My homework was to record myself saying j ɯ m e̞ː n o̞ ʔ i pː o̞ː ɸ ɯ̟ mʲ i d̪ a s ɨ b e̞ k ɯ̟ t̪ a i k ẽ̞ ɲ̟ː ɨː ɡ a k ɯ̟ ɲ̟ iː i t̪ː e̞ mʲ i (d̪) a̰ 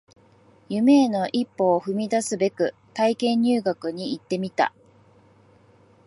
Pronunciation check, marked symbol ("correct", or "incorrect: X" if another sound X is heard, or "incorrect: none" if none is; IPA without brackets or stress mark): incorrect: t̪